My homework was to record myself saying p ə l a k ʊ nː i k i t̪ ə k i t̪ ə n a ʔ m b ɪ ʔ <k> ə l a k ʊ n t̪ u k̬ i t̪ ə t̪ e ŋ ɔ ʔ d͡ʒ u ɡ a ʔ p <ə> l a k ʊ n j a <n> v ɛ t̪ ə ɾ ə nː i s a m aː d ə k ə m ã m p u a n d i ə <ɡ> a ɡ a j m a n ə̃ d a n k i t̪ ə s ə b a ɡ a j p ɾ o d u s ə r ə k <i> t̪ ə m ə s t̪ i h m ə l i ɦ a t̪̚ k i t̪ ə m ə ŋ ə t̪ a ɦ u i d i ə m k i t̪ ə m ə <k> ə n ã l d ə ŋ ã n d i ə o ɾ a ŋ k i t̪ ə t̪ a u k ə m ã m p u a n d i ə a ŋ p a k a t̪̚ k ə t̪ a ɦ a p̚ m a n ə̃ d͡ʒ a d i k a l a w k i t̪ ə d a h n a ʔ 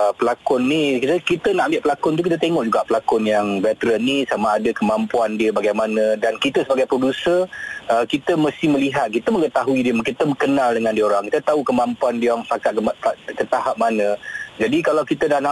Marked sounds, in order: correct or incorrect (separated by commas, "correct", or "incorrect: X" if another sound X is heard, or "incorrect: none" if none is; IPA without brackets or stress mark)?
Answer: incorrect: p, correct, incorrect: ŋ, incorrect: b, correct, correct